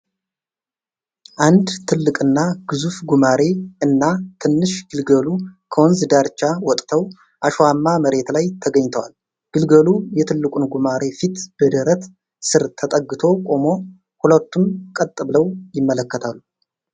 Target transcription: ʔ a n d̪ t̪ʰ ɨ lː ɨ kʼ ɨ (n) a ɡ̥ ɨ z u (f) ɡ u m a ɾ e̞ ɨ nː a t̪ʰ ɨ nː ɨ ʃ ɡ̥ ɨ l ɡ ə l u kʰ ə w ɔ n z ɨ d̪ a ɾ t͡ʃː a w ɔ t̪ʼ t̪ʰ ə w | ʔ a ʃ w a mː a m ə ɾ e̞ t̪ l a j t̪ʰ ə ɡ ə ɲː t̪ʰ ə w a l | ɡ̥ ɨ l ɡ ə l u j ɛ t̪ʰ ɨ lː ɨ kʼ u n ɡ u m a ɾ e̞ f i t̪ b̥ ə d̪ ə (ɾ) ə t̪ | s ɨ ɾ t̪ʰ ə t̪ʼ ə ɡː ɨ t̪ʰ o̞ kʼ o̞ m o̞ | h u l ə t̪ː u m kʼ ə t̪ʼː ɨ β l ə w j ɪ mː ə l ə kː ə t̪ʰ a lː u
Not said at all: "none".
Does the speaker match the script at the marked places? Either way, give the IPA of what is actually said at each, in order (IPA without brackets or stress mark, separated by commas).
nː, f, ɾ